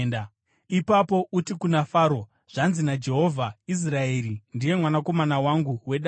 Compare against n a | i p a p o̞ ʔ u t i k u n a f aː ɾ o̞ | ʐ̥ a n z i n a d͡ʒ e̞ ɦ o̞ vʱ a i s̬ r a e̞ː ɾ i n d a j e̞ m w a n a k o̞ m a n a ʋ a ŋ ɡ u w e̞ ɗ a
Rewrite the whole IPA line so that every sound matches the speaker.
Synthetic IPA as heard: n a | i p a p o̞ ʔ u t i k u n a f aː ɾ o̞ | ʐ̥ a n z i n a d͡ʒ e̞ ɦ o̞ vʱ a i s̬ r a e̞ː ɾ i n d i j e̞ m w a n a k o̞ m a n a w a ŋ ɡ u w e̞ ɗ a